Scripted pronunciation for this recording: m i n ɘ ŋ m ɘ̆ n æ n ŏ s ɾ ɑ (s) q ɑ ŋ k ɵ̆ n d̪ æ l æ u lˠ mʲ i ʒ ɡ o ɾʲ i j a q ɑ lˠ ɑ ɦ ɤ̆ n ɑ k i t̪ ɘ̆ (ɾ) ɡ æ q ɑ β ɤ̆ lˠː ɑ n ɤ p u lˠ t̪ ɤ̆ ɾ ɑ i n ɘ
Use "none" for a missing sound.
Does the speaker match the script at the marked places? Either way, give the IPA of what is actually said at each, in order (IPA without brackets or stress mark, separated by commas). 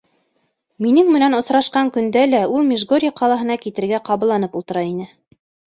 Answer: ʃ, ɾ